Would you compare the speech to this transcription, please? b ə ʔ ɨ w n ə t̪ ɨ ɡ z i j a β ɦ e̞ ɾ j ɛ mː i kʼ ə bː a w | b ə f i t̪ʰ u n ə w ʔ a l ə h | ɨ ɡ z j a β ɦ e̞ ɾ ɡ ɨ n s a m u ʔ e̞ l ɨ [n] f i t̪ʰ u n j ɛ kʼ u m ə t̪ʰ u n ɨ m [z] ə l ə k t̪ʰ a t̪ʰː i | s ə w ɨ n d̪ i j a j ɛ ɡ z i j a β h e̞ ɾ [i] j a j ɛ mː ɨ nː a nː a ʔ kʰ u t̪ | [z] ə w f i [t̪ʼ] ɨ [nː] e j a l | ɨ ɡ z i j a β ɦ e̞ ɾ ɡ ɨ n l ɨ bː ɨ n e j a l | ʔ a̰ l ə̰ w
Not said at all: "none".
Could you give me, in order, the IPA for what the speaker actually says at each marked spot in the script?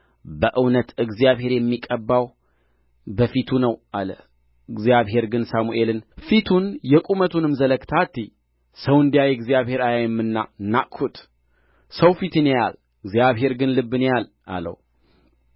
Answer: n, z, a, s, t̪, n

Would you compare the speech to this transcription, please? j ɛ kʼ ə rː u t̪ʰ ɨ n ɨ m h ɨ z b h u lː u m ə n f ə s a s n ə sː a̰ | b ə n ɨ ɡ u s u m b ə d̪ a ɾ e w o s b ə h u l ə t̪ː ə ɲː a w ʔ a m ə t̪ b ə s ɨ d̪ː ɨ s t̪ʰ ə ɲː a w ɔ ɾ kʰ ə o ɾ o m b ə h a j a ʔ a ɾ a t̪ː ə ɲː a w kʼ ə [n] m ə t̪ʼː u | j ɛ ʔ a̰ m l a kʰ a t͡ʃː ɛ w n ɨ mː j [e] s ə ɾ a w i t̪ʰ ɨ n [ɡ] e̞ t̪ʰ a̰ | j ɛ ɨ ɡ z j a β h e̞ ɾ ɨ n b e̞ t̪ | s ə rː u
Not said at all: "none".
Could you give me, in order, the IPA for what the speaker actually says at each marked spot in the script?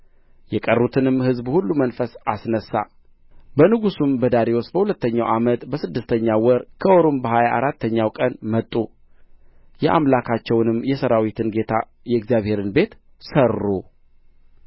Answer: n, ɛ, ɡ

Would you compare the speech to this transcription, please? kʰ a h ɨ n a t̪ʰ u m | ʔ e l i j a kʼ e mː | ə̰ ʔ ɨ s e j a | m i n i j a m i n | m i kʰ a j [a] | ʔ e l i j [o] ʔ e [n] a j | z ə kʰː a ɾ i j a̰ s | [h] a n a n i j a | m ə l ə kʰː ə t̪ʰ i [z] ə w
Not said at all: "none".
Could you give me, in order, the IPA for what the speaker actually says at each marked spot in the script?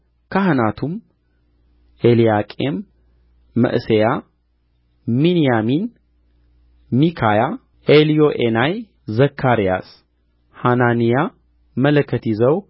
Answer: a, o, n, h, z

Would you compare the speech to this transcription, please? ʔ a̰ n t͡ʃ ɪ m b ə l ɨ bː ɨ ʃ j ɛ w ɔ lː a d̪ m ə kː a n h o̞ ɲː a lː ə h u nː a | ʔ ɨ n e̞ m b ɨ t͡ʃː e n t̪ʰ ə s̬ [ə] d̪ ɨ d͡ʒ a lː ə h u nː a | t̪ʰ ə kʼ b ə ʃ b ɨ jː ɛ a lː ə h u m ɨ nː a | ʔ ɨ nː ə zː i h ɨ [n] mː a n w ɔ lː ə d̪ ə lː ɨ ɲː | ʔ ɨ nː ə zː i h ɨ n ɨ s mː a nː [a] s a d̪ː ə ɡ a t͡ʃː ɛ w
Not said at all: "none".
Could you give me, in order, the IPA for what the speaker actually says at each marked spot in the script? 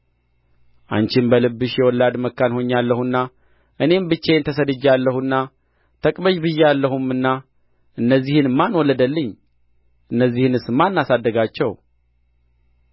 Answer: ə, n, a

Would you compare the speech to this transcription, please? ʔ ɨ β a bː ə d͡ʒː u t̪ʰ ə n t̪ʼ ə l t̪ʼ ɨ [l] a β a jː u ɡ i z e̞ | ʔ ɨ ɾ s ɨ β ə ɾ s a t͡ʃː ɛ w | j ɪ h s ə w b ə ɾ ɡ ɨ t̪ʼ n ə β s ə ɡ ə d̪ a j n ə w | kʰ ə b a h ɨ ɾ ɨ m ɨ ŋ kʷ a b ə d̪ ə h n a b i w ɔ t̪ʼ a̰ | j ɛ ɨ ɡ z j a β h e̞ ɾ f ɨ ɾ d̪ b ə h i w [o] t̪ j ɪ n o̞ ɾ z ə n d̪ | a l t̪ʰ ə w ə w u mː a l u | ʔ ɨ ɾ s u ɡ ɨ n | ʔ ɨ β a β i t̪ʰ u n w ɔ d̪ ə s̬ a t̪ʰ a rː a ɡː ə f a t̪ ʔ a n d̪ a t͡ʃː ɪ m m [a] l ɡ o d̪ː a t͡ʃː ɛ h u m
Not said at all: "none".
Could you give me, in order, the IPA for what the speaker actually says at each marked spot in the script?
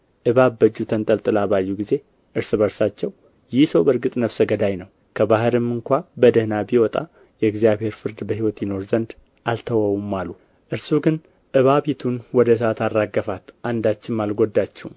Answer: l, ɔ, a

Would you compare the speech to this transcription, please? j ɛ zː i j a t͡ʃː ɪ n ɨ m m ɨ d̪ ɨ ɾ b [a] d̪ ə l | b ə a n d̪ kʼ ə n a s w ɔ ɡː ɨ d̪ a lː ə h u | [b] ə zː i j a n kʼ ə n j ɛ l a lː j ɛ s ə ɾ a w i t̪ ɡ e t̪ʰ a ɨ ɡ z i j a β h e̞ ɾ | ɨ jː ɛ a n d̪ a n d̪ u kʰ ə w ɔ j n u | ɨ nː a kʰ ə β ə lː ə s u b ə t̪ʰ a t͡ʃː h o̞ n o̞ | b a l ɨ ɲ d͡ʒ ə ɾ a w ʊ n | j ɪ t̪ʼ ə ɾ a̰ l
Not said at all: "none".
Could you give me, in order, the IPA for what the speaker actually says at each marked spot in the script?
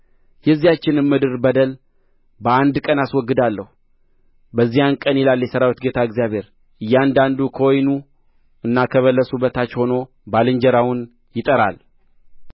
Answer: ə, b

